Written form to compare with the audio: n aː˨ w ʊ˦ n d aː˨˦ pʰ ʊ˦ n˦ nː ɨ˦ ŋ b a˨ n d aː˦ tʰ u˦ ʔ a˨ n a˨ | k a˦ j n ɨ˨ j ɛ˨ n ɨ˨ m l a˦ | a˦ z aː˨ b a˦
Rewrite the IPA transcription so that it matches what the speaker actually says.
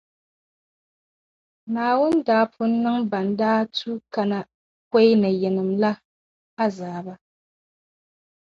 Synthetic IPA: n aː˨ w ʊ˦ n d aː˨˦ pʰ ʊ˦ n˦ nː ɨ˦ ŋ b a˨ n d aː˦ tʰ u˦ k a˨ n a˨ | k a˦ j n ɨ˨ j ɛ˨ n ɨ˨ m l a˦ | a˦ z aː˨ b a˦

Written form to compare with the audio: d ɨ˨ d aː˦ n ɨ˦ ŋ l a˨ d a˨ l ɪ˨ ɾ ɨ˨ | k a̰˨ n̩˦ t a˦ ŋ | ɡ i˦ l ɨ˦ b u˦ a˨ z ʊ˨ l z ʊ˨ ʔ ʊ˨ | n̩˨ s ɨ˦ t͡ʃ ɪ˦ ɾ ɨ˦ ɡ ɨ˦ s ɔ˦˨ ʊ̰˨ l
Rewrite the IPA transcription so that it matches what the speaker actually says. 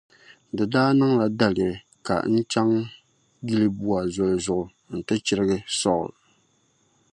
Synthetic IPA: d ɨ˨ d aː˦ n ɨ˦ ŋ l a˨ d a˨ l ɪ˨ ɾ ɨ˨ | k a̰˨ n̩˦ t͡ʃ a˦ ŋ | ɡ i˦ l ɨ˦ b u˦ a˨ z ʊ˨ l z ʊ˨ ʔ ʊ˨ | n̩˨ t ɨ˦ t͡ʃ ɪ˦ ɾ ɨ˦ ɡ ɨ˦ s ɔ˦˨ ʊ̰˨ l

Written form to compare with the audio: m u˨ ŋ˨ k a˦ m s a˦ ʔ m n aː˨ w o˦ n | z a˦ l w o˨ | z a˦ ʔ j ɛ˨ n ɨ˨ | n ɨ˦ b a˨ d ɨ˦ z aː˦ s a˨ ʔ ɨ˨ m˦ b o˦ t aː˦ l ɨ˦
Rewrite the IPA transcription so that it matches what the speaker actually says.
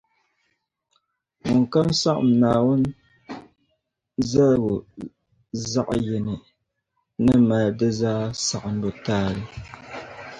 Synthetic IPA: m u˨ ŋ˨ k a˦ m s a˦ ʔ m n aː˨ w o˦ n | z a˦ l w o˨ | z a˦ ʔ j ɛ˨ n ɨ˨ | n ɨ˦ m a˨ d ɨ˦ z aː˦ s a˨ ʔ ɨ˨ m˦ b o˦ t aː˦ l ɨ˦

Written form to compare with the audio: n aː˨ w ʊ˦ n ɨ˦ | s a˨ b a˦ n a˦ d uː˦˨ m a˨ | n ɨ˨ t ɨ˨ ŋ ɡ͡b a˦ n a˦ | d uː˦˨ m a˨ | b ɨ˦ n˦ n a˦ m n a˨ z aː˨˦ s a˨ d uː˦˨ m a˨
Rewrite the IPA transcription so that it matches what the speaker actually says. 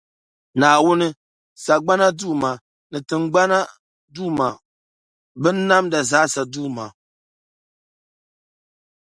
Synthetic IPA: n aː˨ w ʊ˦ n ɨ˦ | s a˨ ɡ͡b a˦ n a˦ d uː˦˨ m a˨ | n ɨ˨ t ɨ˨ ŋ ɡ͡b a˦ n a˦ | d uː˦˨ m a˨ | b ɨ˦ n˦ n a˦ m d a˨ z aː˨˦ s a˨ d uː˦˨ m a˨

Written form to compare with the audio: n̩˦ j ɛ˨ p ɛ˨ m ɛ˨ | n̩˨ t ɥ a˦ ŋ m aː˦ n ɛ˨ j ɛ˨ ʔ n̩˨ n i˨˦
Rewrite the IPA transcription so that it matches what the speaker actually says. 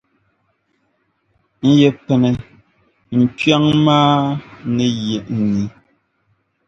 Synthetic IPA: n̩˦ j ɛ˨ p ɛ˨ n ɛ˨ | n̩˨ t ɥ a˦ ŋ m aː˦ n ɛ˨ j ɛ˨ ʔ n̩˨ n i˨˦

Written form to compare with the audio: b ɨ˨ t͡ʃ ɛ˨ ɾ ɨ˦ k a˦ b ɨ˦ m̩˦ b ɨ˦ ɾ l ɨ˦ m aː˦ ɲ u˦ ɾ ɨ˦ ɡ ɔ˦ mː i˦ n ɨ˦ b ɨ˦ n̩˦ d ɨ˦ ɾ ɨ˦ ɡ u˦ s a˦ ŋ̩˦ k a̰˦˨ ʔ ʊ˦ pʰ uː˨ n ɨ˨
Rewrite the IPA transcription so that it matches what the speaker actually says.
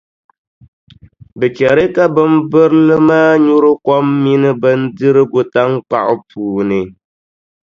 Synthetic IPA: b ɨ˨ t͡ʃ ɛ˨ ɾ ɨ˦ k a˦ b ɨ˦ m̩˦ b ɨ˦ ɾ l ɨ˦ m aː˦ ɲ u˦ ɾ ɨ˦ k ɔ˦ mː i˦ n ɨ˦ b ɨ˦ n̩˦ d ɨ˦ ɾ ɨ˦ ɡ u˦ t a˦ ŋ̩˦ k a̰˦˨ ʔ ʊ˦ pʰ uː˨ n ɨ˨

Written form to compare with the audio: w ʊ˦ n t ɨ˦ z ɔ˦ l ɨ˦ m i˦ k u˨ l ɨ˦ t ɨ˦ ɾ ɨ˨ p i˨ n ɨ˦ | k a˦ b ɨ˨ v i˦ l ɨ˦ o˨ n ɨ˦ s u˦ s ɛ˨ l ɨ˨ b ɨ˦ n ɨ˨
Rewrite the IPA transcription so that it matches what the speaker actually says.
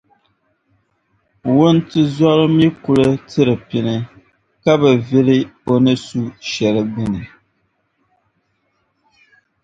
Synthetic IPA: w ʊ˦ n t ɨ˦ z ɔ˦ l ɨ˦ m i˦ k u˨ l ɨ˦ t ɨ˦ ɾ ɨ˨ p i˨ n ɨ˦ | k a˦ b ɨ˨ v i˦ l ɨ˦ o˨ n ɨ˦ s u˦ ʃ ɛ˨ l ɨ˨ b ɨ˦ n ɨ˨

